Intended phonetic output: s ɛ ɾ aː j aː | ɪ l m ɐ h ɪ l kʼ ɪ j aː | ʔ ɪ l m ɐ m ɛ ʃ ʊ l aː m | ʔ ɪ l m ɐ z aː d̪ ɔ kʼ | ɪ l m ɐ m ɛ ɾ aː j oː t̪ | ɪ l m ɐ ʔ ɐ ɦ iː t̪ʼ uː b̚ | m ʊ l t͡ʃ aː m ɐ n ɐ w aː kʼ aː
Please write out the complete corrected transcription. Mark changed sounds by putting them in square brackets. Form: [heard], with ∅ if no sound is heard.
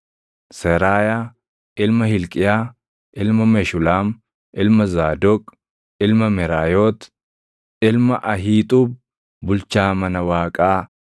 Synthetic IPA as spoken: s ɛ ɾ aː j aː | ɪ l m ɐ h ɪ l kʼ ɪ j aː | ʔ ɪ l m ɐ m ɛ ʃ ʊ l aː m | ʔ ɪ l m ɐ z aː d̪ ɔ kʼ | ɪ l m ɐ m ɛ ɾ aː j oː t̪ | ɪ l m ɐ ʔ ɐ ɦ iː t̪ʼ uː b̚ | [b] ʊ l t͡ʃ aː m ɐ n ɐ w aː kʼ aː